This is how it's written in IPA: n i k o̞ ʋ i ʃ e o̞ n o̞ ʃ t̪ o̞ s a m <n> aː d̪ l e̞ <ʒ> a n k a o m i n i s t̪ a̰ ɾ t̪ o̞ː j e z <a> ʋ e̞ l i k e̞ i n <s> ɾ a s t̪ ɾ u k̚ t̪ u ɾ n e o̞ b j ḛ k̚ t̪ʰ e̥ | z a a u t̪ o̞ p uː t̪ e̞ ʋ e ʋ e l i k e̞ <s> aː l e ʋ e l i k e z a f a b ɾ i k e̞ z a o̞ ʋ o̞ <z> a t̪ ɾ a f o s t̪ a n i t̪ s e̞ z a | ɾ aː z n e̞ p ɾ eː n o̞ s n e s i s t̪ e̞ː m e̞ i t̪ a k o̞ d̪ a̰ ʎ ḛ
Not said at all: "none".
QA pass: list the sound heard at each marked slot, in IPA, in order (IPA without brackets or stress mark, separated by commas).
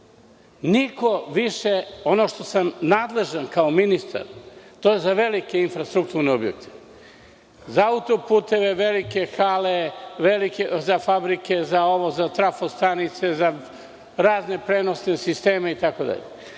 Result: n, ʒ, a, f, x, z